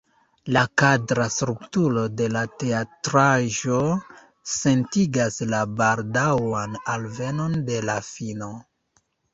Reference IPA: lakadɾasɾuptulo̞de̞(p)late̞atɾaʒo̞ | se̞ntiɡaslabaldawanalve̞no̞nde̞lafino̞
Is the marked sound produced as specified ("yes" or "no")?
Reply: no